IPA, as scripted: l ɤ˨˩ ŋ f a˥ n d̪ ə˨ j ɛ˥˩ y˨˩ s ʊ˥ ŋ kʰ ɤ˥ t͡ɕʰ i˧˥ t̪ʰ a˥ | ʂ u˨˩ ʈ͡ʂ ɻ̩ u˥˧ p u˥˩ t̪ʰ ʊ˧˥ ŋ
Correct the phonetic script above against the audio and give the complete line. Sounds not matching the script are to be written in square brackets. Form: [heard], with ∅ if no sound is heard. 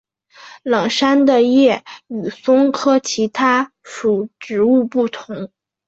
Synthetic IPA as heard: l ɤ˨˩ ŋ [ʂ] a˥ n d̪ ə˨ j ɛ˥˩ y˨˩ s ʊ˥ ŋ kʰ ɤ˥ t͡ɕʰ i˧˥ t̪ʰ a˥ | ʂ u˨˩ ʈ͡ʂ ɻ̩ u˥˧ p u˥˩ t̪ʰ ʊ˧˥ ŋ